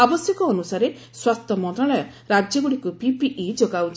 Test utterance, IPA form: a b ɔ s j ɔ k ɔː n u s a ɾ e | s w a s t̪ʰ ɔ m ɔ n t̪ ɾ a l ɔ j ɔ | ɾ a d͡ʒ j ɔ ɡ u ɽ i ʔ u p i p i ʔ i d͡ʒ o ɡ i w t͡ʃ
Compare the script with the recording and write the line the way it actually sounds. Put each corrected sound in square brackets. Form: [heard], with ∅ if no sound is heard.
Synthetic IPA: a b ɔ s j ɔ k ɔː n u s a ɾ e | s w a s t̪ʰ ɔ m ɔ n t̪ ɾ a [ɭ] ɔ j ɔ | ɾ a d͡ʒ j ɔ ɡ u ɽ i [k] u p i p i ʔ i d͡ʒ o ɡ [a] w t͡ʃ